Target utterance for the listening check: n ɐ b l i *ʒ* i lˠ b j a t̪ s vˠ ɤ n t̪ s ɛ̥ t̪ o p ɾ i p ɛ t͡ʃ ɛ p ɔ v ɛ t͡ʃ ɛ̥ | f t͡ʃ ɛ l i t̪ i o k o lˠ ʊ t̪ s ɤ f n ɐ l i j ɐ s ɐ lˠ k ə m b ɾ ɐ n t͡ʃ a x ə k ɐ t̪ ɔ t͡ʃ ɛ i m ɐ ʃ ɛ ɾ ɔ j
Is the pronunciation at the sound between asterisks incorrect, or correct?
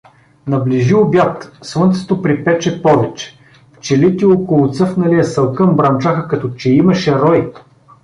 correct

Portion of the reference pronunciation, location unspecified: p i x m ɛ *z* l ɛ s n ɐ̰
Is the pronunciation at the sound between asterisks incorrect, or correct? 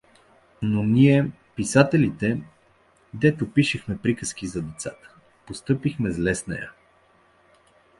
correct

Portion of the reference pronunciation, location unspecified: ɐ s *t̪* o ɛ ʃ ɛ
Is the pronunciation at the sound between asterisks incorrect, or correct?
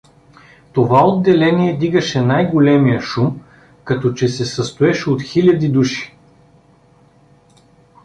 correct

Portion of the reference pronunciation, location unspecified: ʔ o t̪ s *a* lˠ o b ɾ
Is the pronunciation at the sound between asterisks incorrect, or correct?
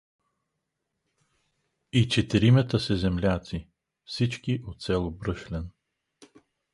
incorrect: ɛ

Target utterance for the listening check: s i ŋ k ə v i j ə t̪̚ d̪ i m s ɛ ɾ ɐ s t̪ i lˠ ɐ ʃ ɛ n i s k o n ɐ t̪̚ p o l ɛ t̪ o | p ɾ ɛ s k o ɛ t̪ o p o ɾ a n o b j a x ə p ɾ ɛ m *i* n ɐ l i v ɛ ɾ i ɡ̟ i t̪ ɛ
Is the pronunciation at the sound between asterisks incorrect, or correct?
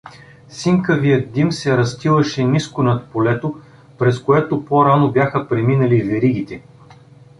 correct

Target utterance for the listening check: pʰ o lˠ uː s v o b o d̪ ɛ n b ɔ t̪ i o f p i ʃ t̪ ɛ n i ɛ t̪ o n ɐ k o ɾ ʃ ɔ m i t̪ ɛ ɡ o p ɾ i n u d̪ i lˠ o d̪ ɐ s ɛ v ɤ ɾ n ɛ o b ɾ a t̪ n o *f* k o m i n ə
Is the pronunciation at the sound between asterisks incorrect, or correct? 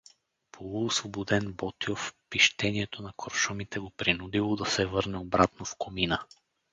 correct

